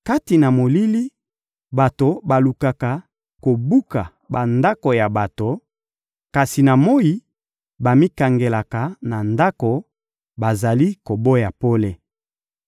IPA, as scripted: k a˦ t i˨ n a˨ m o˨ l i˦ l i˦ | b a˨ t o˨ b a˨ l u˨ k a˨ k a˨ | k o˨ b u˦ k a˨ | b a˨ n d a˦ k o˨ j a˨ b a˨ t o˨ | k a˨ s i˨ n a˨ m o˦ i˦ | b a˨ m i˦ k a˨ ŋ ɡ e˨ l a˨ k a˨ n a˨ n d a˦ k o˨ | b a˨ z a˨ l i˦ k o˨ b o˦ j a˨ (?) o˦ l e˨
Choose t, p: p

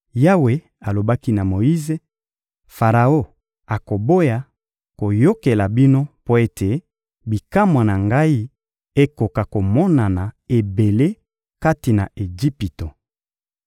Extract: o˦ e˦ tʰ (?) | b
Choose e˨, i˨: e˨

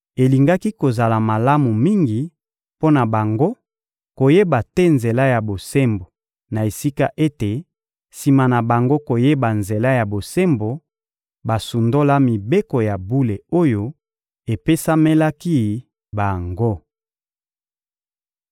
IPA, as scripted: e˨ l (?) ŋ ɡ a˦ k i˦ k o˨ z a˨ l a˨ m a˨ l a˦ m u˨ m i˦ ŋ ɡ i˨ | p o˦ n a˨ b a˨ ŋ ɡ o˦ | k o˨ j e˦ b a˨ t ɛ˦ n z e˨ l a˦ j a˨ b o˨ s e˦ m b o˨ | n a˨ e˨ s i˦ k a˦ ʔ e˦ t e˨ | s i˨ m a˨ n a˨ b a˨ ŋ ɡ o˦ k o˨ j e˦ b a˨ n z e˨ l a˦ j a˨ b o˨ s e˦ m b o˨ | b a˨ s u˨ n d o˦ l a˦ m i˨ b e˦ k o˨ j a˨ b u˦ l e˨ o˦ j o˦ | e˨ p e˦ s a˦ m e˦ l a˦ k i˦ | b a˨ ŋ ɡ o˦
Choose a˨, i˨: i˨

